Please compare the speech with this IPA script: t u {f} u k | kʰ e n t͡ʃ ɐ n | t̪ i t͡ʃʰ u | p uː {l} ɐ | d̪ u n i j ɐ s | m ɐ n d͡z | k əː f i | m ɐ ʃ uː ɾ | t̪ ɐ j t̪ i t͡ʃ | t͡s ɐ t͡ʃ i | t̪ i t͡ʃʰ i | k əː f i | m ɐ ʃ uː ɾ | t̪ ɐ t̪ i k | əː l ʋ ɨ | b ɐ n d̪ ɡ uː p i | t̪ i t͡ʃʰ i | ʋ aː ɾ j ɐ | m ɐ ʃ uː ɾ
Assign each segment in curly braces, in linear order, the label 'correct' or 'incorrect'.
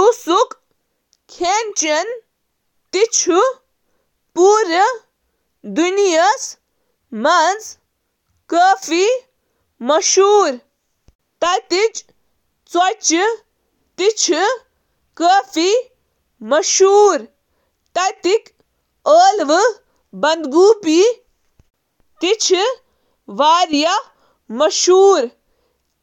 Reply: incorrect: s, incorrect: ɾ

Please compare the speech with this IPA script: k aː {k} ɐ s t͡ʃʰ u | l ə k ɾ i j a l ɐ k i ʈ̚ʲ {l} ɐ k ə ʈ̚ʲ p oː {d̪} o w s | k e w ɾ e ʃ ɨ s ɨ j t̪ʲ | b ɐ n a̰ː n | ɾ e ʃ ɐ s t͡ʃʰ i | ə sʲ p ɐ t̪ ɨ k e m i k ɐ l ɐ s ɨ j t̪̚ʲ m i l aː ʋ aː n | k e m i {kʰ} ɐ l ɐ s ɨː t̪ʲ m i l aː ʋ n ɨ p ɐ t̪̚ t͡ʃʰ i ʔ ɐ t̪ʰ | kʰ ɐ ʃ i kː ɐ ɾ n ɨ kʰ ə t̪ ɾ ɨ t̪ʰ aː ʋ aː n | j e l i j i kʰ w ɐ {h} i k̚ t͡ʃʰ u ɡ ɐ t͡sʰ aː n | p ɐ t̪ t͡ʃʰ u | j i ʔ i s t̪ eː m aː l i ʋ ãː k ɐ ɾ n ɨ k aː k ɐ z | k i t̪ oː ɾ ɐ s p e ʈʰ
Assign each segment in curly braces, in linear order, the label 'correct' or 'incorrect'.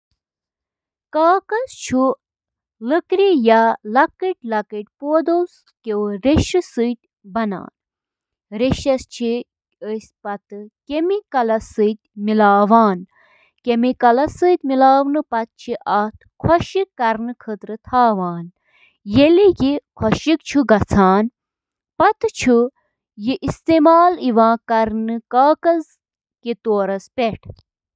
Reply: correct, correct, correct, incorrect: k, incorrect: ʃ

